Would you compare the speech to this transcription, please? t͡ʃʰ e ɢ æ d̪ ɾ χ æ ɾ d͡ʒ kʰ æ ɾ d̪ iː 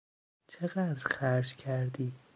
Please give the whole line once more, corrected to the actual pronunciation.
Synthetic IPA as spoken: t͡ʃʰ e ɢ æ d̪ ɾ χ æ ɾ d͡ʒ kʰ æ ɾ d̪ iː